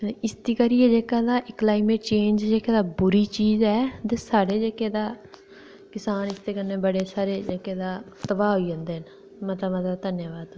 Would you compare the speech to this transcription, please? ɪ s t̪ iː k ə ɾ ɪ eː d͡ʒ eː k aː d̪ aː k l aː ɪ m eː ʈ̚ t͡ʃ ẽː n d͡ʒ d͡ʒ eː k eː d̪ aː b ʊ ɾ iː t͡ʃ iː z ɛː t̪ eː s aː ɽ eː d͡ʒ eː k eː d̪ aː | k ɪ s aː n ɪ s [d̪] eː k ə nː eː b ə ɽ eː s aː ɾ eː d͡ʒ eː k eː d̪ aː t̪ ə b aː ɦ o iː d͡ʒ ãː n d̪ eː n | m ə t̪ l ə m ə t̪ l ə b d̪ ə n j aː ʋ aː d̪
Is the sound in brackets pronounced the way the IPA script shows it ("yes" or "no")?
no